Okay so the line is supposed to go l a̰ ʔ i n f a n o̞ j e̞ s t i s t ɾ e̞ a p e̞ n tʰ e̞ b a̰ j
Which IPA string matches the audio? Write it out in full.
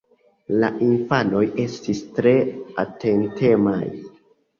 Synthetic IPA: l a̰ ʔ i n f a n o̞ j e̞ s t i s t ɾ e̞ a t e̞ n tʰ e̞ m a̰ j

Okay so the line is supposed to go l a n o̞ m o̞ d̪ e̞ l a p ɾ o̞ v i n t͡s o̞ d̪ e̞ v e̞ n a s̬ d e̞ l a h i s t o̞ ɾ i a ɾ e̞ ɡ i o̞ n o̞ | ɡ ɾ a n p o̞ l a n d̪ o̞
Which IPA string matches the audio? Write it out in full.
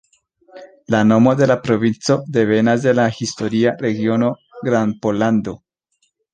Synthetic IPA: l a n o̞ m o̞ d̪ e̞ l a p ɾ o̞ v i n t͡s o̞ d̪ e̞ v e̞ n a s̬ d e̞ l a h i s t o̞ ɾ i a ɾ e̞ ɡ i o̞ n o̞ | ɡ ɾ a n p o̞ l a n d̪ o̞

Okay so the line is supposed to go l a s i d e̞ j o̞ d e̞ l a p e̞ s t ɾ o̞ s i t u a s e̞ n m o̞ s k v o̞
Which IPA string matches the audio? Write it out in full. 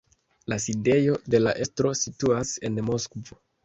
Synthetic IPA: l a s i d e̞ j o̞ d e̞ l a ʔ e̞ s t ɾ o̞ s i t u a s e̞ n m o̞ s k v o̞

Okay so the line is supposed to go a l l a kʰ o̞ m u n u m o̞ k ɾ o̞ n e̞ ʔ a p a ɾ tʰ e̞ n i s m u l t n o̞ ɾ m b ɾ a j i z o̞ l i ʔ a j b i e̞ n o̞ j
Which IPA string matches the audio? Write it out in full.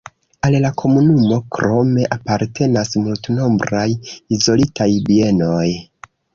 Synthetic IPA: a l l a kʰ o̞ m u n u m o̞ k ɾ o̞ m e̞ ʔ a p a ɾ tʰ e̞ n a s m u l t n o̞ m b ɾ a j i z o̞ l i t a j b i e̞ n o̞ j

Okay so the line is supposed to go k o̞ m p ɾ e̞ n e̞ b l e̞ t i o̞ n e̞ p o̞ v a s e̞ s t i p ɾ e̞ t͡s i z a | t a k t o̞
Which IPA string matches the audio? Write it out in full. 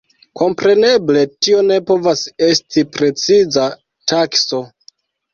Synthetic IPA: k o̞ m p ɾ e̞ n e̞ b l e̞ t i o̞ n e̞ p o̞ v a s e̞ s t i p ɾ e̞ t͡s i z a | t a k s o̞

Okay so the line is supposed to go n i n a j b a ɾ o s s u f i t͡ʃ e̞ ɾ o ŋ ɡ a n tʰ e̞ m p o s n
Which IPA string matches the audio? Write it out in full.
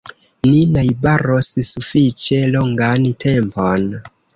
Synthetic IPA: n i n a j b a ɾ o s s u f i t͡ʃ e̞ l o ŋ ɡ a n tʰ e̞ m p o n

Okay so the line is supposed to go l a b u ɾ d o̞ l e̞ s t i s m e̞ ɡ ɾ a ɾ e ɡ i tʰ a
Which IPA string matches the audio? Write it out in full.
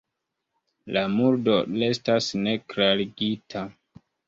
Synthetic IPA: l a m u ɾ d o̞ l e̞ s t a s n e̞ k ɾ a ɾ i ɡ i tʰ a

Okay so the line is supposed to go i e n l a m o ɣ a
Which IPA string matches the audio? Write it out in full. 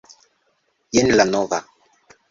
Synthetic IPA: j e n l a n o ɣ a

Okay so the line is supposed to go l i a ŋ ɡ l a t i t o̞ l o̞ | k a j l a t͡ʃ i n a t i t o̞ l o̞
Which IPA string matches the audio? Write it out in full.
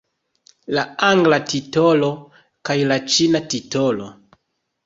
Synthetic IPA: l a a ŋ ɡ l a t i t o̞ l o̞ | k a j l a t͡ʃ i n a t i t o̞ l o̞

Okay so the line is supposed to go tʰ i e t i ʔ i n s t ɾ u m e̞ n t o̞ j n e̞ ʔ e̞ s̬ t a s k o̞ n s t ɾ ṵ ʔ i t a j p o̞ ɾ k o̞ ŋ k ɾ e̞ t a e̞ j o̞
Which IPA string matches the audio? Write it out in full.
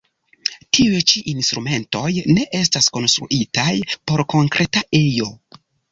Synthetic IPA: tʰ i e t͡ʃ i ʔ i n s t ɾ u m e̞ n t o̞ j n e̞ ʔ e̞ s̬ t a s k o̞ n s t ɾ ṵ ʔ i t a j p o̞ ɾ k o̞ ŋ k ɾ e̞ t a e̞ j o̞

